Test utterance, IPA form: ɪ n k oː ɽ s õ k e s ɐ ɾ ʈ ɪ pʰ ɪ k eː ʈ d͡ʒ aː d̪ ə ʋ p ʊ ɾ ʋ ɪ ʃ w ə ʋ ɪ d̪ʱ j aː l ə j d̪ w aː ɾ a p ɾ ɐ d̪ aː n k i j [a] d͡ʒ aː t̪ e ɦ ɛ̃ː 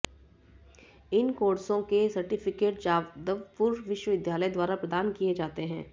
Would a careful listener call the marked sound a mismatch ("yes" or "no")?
yes